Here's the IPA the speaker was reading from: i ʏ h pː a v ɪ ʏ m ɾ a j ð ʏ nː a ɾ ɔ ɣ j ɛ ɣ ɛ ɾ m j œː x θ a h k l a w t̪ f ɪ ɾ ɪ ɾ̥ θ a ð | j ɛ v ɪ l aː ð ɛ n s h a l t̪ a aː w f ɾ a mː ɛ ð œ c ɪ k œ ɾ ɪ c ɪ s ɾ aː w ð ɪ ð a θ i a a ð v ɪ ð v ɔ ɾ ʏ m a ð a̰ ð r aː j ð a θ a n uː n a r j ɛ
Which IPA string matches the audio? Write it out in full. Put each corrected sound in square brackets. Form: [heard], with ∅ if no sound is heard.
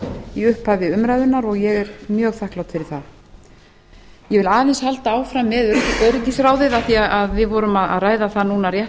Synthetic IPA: i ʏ h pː a v ɪ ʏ m ɾ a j ð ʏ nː a ɾ ɔ ɣ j ɛ ɣ ɛ ɾ m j œː [ɣ] θ a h k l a w t̪ f ɪ ɾ ɪ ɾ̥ θ a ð | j ɛ v ɪ l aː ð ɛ n s h a l t̪ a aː w f ɾ a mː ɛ ð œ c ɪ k œ ɾ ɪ c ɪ s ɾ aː w ð ɪ ð a θ i a a ð v ɪ ð v ɔ ɾ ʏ m a ð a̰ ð r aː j ð a θ a n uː n a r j ɛ